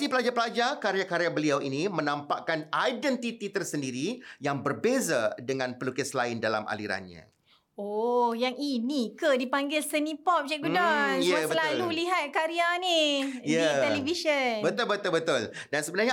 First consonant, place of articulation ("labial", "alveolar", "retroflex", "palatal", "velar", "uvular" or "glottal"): labial